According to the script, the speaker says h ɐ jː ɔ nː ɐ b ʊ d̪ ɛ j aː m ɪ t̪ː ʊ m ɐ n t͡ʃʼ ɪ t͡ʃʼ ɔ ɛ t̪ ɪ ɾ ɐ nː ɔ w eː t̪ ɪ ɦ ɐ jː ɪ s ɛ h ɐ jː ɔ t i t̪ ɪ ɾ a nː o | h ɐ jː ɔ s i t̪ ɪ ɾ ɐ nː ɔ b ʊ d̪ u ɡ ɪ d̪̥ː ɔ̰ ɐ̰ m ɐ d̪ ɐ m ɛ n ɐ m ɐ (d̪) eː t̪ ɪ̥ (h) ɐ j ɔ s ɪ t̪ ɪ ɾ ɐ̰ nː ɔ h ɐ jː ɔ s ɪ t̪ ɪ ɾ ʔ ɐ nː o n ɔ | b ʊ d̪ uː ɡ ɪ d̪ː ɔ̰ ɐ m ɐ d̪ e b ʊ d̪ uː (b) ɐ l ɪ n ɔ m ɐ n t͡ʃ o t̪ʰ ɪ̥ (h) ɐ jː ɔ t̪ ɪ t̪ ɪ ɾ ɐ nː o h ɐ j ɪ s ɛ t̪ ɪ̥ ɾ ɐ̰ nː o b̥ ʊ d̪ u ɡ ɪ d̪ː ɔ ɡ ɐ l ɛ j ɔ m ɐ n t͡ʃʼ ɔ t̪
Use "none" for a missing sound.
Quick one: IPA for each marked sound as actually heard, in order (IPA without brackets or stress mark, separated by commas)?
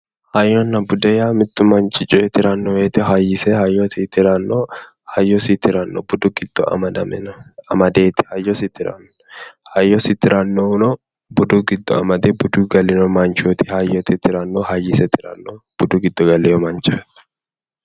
d̪, h, ɡ, h